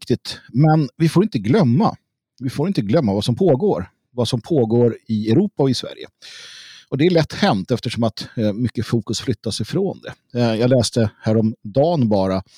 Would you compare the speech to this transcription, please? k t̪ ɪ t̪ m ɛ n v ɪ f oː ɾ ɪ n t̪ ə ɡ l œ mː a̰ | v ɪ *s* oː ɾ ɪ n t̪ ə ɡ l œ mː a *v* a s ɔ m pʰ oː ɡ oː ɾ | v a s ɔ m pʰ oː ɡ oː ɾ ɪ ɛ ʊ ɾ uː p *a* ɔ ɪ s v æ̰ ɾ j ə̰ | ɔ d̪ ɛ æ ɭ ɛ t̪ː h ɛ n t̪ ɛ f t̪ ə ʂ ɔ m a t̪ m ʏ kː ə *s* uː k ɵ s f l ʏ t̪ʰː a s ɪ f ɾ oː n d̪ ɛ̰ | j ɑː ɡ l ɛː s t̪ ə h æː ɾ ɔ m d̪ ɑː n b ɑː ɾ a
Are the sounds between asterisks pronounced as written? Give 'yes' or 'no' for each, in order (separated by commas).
no, yes, yes, no